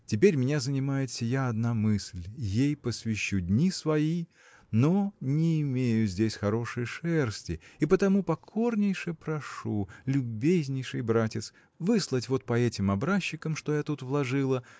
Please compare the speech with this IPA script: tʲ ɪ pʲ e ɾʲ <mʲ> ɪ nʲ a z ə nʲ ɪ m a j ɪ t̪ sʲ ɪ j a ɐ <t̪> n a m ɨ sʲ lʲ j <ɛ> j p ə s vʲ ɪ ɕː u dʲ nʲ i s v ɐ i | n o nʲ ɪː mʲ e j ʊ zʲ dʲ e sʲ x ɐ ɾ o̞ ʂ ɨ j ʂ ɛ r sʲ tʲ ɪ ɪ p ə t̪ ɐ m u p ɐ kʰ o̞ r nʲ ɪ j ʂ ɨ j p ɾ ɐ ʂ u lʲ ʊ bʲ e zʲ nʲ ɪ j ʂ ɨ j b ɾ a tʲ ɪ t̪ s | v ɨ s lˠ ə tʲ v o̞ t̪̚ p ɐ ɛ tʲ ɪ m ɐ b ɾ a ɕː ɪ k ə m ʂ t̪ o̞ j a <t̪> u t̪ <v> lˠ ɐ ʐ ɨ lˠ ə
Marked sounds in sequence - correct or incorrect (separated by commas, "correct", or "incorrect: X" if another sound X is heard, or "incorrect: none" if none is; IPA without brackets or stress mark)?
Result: correct, incorrect: d̪, incorrect: e, correct, correct